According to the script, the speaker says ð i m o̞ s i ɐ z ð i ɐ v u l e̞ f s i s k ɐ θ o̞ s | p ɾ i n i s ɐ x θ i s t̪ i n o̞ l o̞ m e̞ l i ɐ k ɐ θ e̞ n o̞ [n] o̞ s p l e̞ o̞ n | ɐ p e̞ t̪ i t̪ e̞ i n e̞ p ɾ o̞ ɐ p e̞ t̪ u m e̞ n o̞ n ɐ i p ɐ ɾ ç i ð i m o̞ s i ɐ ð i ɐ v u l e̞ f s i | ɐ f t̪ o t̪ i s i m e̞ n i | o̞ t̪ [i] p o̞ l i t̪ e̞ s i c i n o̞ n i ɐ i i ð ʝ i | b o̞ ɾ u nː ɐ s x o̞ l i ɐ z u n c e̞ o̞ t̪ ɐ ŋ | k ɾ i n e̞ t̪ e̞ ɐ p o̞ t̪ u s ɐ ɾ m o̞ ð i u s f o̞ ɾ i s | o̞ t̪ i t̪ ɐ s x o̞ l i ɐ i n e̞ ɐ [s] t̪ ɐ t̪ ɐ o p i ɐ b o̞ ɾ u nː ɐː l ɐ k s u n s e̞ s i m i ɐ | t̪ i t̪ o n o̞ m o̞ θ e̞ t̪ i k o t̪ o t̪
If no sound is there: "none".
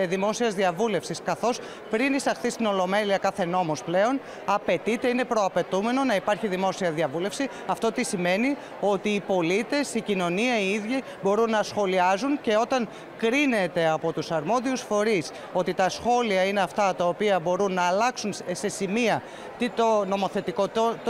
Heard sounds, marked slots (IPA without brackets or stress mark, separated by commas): m, iː, f